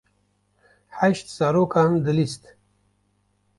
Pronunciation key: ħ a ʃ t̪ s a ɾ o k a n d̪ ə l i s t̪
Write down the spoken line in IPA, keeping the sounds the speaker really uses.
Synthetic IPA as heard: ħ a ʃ t̪ s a ɾ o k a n d̪ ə l i s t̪